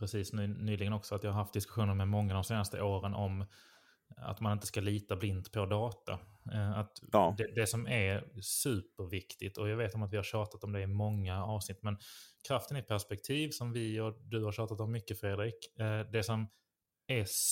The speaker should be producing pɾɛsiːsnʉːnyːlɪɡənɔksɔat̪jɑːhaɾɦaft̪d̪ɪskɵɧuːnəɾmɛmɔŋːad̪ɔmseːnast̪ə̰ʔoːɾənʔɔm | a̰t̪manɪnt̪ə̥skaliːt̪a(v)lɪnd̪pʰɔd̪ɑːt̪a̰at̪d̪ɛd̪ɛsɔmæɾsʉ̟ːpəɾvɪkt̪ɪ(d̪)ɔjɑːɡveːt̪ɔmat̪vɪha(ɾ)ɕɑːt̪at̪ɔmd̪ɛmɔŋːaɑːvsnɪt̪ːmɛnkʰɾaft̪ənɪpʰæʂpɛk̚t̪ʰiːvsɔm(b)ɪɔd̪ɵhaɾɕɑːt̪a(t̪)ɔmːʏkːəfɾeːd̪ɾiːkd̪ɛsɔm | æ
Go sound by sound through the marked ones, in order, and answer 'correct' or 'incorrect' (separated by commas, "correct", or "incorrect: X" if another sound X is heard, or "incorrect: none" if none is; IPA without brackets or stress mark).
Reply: incorrect: b, incorrect: t̪, correct, incorrect: v, correct